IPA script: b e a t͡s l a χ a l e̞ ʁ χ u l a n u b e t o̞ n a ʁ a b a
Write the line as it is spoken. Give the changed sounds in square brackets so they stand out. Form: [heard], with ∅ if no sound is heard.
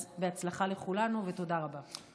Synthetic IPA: b e a t͡s l a χ a l e̞ [∅] χ u l a n u [v] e t o̞ [d] a ʁ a b a